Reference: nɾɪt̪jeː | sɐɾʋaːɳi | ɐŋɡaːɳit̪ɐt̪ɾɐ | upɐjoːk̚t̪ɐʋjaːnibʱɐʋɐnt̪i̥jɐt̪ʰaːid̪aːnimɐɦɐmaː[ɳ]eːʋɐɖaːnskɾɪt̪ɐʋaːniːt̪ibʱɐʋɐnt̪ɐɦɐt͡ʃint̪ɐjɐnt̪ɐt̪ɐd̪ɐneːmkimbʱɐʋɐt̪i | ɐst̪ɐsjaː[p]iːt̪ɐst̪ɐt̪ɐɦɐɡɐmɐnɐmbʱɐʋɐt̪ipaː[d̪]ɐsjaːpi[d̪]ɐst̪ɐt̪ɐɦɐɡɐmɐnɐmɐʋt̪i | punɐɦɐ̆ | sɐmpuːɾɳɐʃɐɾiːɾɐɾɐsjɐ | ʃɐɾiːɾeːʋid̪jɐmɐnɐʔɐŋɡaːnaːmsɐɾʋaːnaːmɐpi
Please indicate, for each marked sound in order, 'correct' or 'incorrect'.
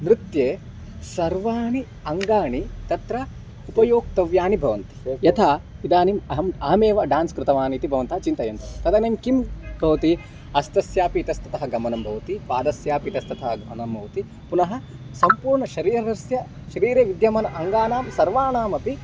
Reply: incorrect, correct, correct, incorrect

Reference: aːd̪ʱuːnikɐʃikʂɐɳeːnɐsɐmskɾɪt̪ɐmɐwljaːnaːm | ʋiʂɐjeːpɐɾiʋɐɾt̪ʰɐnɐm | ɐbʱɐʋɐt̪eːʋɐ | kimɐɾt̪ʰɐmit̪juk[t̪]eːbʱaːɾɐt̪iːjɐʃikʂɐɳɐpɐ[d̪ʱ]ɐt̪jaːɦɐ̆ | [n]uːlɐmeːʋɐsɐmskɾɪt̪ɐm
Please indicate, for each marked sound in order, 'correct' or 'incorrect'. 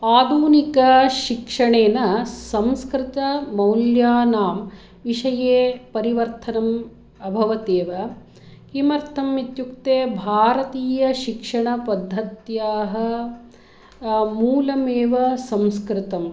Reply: correct, incorrect, incorrect

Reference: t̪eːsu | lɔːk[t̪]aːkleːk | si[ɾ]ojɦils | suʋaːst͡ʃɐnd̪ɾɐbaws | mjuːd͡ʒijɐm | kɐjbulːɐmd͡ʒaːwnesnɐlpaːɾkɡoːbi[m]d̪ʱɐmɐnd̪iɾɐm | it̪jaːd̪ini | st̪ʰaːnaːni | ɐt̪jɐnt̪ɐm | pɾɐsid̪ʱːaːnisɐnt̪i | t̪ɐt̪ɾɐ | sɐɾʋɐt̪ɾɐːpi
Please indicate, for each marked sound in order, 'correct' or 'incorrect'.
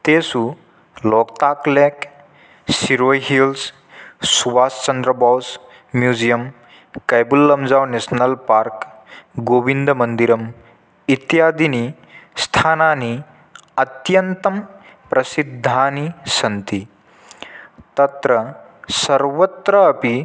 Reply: correct, correct, incorrect

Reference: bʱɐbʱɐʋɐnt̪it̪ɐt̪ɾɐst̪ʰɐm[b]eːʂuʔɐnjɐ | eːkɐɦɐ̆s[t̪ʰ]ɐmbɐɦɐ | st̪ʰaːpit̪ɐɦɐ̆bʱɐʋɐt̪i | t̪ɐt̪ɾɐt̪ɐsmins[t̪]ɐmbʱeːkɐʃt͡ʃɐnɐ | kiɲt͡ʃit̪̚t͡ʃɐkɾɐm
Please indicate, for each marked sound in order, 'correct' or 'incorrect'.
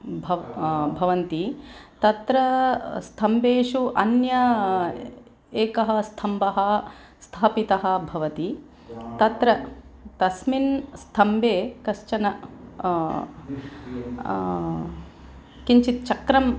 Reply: correct, correct, incorrect

